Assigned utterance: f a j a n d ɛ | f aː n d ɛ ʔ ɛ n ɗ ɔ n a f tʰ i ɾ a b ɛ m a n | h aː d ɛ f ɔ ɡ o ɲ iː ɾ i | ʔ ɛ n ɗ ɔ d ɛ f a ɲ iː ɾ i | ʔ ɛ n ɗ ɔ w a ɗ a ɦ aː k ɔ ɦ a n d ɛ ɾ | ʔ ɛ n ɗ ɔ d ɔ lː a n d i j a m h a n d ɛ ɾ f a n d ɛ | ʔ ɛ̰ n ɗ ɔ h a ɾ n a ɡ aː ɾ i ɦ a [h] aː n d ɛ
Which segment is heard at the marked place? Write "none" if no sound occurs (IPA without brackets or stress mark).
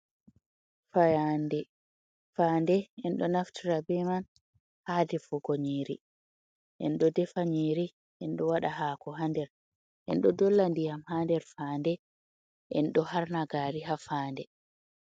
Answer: f